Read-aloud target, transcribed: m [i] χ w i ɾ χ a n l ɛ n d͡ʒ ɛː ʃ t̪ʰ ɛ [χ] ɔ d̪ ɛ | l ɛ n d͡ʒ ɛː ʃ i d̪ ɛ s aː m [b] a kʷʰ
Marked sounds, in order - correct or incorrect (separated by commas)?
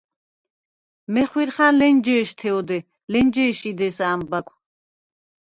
incorrect, incorrect, correct